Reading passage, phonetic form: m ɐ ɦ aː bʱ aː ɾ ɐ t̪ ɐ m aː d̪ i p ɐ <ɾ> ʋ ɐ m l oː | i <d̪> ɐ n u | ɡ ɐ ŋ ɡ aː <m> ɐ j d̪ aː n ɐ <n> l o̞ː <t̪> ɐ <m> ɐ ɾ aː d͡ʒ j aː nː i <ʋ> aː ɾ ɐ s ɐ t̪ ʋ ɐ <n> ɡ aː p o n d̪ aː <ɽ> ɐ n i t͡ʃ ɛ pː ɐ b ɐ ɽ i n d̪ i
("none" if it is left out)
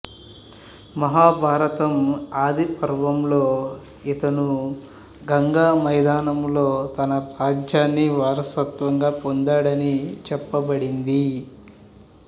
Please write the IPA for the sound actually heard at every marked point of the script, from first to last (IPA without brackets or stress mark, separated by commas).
ɾ, t̪, m, m, t̪, n, ʋ, ŋ, ɽ